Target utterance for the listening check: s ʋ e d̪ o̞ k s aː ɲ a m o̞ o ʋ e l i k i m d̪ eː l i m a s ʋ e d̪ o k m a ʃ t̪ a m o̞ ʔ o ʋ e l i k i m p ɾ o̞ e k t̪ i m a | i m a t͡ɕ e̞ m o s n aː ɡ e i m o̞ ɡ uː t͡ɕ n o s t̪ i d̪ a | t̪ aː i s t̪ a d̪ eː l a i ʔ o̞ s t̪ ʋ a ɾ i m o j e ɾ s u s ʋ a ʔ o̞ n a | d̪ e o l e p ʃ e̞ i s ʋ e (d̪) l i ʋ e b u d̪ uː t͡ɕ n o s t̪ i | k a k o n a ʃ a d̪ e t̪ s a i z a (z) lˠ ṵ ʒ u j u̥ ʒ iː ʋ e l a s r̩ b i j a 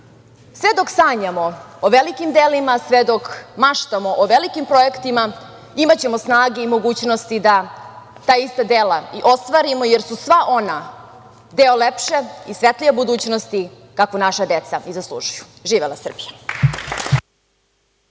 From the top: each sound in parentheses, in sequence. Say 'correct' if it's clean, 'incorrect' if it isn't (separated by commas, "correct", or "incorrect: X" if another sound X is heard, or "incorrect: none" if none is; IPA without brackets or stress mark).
incorrect: t̪, incorrect: s